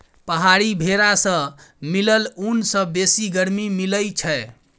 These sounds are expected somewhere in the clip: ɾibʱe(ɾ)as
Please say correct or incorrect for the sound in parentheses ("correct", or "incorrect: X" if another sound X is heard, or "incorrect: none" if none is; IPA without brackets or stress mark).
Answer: correct